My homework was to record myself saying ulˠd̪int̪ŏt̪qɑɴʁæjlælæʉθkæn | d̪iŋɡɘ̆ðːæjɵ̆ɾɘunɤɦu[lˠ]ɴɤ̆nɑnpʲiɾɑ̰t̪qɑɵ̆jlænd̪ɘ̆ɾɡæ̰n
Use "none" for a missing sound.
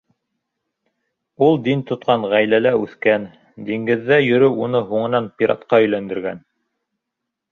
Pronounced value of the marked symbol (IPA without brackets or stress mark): none